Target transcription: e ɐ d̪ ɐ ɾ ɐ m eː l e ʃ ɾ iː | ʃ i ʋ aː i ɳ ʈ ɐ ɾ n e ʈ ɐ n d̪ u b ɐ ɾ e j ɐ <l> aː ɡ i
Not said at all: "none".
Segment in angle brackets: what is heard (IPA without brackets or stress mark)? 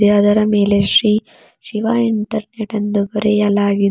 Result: l